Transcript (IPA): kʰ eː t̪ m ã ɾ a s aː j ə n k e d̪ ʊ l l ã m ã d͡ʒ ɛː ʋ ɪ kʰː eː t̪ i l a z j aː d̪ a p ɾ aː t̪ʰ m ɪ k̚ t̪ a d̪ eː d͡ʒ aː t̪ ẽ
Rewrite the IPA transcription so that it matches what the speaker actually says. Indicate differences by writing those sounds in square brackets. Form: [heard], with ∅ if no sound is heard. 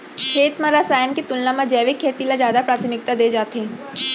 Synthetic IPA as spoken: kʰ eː t̪ m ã ɾ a s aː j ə n k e [t̪] ʊ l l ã m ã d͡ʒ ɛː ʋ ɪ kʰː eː t̪ i l a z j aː d̪ a p ɾ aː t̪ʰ m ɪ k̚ t̪ a d̪ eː d͡ʒ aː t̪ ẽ